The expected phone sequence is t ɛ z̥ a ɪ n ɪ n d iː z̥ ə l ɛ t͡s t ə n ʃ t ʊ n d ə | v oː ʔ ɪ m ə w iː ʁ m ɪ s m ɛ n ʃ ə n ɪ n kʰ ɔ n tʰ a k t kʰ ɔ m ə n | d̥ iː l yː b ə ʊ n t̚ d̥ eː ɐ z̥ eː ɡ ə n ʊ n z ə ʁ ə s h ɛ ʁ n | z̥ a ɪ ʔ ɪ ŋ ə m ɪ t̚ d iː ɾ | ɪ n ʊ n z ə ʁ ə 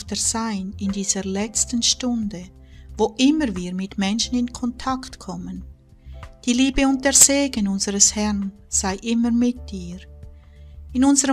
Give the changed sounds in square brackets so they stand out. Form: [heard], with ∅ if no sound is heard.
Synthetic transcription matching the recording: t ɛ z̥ a ɪ n ɪ n d iː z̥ ə l ɛ t͡s t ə n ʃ t ʊ n d ə | v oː ʔ ɪ m ə [v] iː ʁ m ɪ [t] m ɛ n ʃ ə n ɪ n kʰ ɔ n tʰ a k t kʰ ɔ m ə n | d̥ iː l [iː] b ə ʊ n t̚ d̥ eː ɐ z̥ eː ɡ ə n ʊ n z ə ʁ ə s h ɛ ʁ n | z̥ a ɪ ʔ ɪ [m] ə m ɪ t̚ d iː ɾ | ɪ n ʊ n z ə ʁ ə